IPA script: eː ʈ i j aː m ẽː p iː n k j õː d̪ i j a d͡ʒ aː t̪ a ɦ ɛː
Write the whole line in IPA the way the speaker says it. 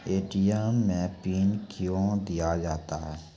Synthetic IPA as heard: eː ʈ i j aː m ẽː p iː n k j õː d̪ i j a d͡ʒ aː t̪ a ɦ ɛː